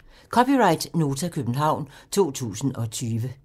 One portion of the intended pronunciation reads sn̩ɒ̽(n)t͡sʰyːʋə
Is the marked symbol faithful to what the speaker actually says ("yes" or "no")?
no